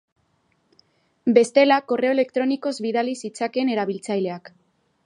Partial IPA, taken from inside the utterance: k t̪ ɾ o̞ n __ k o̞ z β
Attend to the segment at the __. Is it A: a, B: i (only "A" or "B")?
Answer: B